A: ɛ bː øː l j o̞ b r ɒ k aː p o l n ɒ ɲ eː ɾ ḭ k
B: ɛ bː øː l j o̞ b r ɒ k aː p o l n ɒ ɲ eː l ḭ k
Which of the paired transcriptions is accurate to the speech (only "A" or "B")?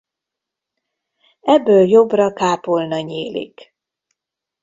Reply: B